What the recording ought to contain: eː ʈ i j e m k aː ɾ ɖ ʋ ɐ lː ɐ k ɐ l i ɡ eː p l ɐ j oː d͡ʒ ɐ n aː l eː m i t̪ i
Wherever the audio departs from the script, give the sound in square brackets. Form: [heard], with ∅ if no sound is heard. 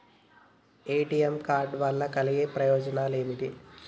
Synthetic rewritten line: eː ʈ i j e m k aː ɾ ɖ ʋ ɐ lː ɐ k ɐ l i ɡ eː p [ɾ] ɐ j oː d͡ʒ ɐ n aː l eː m i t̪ i

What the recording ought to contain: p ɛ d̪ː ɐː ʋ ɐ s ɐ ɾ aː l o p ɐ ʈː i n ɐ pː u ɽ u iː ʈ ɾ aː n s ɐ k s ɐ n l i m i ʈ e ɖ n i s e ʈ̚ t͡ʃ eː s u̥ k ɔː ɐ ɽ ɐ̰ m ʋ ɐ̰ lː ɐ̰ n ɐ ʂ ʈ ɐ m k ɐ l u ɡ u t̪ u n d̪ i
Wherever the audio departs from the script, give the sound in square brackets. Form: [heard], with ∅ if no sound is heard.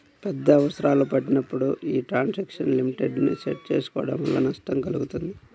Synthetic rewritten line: p ɛ d̪ː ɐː ʋ ɐ s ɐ ɾ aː l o p ɐ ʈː i n ɐ pː u ɽ u iː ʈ ɾ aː n s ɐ k [ʂ] ɐ n l i m i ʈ e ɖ n i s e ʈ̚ t͡ʃ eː s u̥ k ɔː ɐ ɽ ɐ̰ m ʋ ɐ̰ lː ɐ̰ n ɐ ʂ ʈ ɐ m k ɐ l u ɡ u t̪ u n d̪ i

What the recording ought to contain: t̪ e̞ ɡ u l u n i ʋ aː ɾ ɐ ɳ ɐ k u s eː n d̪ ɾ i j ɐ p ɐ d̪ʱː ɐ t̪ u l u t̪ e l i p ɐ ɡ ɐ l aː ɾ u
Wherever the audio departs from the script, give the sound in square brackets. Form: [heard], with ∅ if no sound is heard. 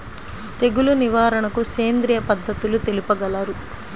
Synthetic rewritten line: t̪ e̞ ɡ u l u n i ʋ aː ɾ ɐ ɳ ɐ k u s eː n d̪ ɾ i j ɐ p ɐ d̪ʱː ɐ t̪ u l u t̪ e l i p ɐ ɡ ɐ l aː ɾ u

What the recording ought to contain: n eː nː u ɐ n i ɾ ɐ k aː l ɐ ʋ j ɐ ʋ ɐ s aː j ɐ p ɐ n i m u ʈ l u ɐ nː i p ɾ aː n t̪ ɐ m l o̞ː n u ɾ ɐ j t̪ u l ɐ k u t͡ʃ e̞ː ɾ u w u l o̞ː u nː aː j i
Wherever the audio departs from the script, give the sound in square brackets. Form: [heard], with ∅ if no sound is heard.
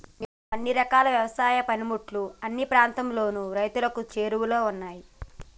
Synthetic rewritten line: n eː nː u ɐ [nː] i ɾ ɐ k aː l ɐ ʋ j ɐ ʋ ɐ s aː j ɐ p ɐ n i m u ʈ l u ɐ nː i p ɾ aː n t̪ ɐ m l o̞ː n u ɾ ɐ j t̪ u l ɐ k u t͡ʃ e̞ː ɾ u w u l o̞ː u nː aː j i

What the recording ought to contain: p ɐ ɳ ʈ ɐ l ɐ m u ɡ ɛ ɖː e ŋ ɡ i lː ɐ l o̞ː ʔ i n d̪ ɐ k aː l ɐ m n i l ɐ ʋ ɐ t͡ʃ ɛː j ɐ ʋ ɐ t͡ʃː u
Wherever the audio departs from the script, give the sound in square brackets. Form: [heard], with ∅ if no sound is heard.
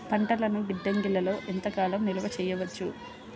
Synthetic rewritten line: p ɐ ɳ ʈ ɐ l ɐ [n] u ɡ [i] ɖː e ŋ ɡ i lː ɐ l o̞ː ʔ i n [t̪] ɐ k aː l ɐ m n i l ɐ ʋ ɐ t͡ʃ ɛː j ɐ ʋ ɐ t͡ʃː u

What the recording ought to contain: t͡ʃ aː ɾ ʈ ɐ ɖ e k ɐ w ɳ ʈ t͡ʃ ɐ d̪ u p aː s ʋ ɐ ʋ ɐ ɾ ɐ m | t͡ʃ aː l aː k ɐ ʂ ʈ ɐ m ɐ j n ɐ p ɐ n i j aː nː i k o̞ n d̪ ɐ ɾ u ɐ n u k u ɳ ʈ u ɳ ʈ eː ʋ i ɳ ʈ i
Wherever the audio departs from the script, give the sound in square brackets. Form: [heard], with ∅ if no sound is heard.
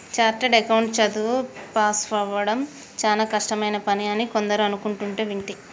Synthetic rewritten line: t͡ʃ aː ɾ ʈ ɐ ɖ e k ɐ w ɳ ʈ t͡ʃ ɐ d̪ u p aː s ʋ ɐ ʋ ɐ [ɽ] ɐ m | t͡ʃ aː l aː k ɐ ʂ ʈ ɐ m ɐ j n ɐ p ɐ n i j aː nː i k o̞ n d̪ ɐ ɾ u ɐ n u k u ɳ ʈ u ɳ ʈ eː ʋ i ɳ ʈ i

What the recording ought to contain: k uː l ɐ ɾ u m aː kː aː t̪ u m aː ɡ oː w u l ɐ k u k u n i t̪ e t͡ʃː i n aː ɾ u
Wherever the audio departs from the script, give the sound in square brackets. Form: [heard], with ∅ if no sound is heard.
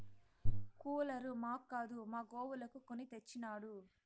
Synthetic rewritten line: k uː l ɐ ɾ u m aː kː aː [d̪] u m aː ɡ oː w u l ɐ k u k [o] n i t̪ e t͡ʃː i n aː [ɽ] u

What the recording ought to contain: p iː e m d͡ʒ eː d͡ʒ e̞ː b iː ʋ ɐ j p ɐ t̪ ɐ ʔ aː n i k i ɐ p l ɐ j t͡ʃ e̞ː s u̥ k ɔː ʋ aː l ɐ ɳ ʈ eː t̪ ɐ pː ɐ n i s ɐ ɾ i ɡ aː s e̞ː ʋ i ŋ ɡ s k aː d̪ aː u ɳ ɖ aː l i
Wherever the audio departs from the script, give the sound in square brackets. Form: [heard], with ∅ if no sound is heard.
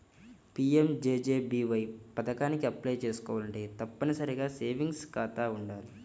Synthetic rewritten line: p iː e m d͡ʒ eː d͡ʒ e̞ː b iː ʋ ɐ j p ɐ t̪ ɐ [k] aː n i k i ɐ p l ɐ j t͡ʃ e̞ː s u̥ k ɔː ʋ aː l ɐ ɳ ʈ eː t̪ ɐ pː ɐ n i s ɐ ɾ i ɡ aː s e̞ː ʋ i ŋ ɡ s k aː [t̪] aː u ɳ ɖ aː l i

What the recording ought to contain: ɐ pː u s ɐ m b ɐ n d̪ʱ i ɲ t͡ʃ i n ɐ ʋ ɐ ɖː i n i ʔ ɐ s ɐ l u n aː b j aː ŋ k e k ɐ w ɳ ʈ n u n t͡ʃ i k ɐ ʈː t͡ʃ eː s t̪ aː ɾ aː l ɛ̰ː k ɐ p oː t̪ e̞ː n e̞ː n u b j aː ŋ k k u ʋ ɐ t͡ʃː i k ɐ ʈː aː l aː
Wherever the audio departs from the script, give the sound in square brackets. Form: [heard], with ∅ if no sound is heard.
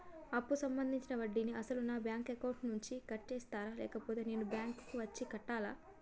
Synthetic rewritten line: ɐ pː u s ɐ m b ɐ n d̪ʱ i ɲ t͡ʃ i n ɐ ʋ ɐ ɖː i n i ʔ ɐ s ɐ l u n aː b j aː ŋ k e k ɐ w ɳ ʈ n u [ɲ] t͡ʃ i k ɐ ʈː t͡ʃ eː s t̪ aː ɾ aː l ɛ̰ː k ɐ p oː t̪ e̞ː n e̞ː n u b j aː ŋ k k u ʋ ɐ t͡ʃː i k ɐ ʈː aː l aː

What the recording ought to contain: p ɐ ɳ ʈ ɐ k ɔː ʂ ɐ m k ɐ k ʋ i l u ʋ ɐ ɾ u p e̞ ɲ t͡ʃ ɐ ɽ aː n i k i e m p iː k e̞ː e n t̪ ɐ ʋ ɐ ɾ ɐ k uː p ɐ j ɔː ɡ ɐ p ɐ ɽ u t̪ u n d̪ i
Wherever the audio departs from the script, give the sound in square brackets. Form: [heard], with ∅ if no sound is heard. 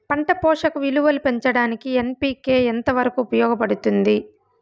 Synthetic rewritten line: p ɐ ɳ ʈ ɐ [p] ɔː ʂ ɐ [∅] k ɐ [∅] ʋ i l u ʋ ɐ [l] u p e̞ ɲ t͡ʃ ɐ ɽ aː n i k i e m p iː k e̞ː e n t̪ ɐ ʋ ɐ ɾ ɐ k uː p ɐ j ɔː ɡ ɐ p ɐ ɽ u t̪ u n d̪ i

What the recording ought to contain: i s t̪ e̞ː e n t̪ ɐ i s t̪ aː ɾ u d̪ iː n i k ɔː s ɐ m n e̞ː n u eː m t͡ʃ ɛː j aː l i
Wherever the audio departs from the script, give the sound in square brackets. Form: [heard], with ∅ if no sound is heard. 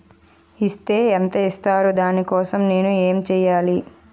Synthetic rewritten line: i s t̪ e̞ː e n t̪ ɐ i s t̪ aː ɾ u d̪ [aː] n i k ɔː s ɐ m n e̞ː n u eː m t͡ʃ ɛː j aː l i

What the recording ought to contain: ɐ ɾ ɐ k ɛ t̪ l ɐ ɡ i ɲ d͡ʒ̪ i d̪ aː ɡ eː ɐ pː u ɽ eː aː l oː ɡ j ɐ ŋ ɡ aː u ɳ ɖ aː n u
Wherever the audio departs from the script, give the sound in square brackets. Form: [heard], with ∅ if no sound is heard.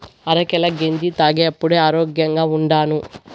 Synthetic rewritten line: ɐ ɾ ɐ k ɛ [∅] l ɐ ɡ [e] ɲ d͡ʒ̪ i [t̪] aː ɡ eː ɐ pː u ɽ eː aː [ɾ] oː ɡ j ɐ ŋ ɡ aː u ɳ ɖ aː n u

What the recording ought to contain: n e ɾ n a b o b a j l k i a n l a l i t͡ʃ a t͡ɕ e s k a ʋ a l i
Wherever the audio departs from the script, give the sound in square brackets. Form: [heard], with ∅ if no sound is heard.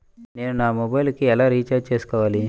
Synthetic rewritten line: n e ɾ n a [m] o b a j l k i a [∅] l a [ɾ] i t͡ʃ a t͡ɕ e s k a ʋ a l i

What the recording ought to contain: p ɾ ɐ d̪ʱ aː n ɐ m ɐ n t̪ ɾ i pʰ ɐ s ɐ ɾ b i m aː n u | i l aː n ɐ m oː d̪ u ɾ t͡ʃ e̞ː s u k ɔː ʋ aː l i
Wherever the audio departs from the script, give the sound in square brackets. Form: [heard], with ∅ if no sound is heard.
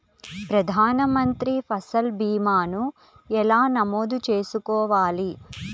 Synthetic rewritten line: p ɾ ɐ d̪ʱ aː n ɐ m ɐ n t̪ ɾ i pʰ ɐ s ɐ [l] b [iː] m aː n u | [ɛ] l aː n ɐ m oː d̪ u [∅] t͡ʃ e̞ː s u k ɔː ʋ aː l i

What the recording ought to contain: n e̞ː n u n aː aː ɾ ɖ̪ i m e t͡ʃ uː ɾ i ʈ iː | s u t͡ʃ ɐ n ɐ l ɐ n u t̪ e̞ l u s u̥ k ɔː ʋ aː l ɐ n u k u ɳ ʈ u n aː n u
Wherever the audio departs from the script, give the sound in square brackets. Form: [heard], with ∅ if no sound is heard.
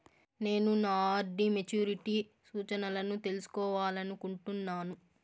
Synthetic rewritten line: n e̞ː n u n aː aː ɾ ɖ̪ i m e t͡ʃ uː ɾ i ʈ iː | s [uː] t͡ʃ ɐ n ɐ l ɐ n u t̪ e̞ l u s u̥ k ɔː ʋ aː l ɐ n u k u ɳ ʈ u [nː] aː n u

